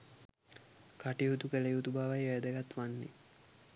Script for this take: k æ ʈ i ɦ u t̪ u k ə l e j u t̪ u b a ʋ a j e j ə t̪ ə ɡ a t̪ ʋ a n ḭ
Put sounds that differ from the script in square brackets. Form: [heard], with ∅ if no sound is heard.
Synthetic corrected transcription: k [a] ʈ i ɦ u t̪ u k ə l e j u t̪ u b a ʋ a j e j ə [d̪] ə ɡ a t̪ ʋ a [nː] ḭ